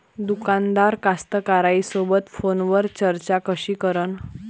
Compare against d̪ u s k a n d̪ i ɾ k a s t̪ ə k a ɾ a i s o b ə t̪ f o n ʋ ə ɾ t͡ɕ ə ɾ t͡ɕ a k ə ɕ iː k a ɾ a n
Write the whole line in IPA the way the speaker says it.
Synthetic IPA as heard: d̪ u k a n d̪ a ɾ k a s t̪ ə k a ɾ a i s o b ə t̪ f o n ʋ ə ɾ t͡ɕ ə ɾ t͡ɕ a k ə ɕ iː k ə ɾ ə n